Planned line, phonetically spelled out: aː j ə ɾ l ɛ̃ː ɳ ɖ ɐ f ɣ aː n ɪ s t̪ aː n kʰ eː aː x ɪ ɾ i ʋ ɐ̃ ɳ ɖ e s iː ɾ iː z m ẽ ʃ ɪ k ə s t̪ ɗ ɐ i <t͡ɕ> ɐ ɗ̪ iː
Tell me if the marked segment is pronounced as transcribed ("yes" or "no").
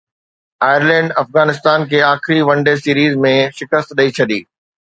no